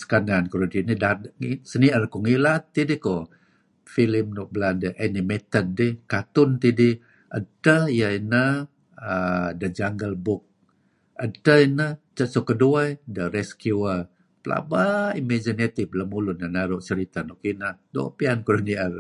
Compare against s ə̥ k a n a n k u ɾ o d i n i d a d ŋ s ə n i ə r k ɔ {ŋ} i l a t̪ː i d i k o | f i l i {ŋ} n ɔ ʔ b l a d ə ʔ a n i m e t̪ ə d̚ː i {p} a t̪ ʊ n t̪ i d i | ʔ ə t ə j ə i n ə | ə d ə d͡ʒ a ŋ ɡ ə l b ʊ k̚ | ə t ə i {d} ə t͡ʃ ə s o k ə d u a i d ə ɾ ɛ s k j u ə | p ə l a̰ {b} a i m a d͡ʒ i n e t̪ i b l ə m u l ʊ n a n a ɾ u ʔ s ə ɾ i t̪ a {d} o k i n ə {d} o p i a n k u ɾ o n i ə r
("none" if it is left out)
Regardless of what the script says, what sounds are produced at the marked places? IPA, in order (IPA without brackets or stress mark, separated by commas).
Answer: ŋ, m, k, n, b, n, d